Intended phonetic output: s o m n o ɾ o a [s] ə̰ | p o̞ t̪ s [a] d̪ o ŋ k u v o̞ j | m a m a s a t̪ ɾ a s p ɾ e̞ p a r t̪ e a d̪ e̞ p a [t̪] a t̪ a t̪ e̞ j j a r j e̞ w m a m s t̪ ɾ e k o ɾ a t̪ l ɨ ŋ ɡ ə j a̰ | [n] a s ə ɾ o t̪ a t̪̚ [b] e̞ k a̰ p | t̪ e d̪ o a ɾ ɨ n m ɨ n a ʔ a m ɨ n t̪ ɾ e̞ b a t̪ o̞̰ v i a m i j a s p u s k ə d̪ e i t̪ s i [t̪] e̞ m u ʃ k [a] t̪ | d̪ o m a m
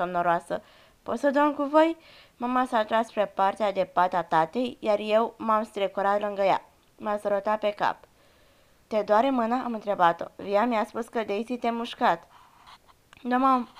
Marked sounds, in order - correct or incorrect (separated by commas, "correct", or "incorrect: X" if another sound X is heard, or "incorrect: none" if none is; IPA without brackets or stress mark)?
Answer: correct, incorrect: ə, correct, incorrect: m, incorrect: p, correct, correct